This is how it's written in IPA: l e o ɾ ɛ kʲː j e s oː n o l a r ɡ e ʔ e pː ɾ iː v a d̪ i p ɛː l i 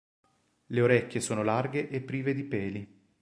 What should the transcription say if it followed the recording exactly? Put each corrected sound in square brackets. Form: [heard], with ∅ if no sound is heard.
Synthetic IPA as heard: l e o ɾ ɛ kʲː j e s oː n o l a r ɡ e ʔ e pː ɾ iː v [e] d̪ i p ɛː l i